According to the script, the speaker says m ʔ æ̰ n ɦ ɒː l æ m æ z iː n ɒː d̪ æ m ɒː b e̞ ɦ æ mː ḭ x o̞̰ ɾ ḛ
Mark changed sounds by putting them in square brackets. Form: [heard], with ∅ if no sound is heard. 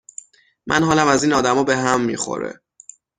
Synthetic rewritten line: m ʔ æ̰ n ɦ ɒː l æ m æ z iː n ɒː d̪ æ m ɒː b e̞ ɦ æ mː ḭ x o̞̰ ɾ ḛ